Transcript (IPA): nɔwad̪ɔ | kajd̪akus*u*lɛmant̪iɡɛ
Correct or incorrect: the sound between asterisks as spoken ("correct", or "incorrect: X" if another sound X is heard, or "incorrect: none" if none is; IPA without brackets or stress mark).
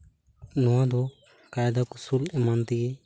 correct